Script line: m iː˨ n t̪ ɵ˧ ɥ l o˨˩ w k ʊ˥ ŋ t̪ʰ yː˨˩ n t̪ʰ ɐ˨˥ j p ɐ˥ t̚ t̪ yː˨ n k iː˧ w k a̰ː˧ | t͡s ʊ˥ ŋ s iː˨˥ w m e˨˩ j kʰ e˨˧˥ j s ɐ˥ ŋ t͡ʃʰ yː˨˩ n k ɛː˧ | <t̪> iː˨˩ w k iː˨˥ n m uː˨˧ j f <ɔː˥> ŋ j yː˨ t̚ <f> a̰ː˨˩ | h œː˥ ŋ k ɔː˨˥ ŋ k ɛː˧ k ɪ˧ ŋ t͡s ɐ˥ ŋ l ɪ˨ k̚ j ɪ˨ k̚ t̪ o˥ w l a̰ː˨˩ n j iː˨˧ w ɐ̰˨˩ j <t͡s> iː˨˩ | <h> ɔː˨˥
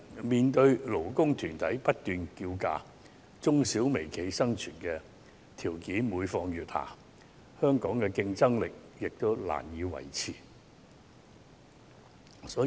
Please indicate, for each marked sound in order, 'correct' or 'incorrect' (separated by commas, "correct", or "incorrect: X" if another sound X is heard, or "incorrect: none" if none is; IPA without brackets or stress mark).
incorrect: t̪ʰ, incorrect: ɔː˧, incorrect: h, incorrect: t͡sʰ, incorrect: s